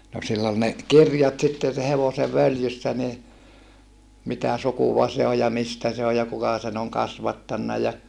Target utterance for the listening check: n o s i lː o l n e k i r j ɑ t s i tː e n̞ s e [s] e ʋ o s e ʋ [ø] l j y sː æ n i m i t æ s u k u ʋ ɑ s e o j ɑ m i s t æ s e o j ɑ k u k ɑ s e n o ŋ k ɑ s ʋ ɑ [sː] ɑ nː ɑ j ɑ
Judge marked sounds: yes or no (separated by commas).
no, yes, no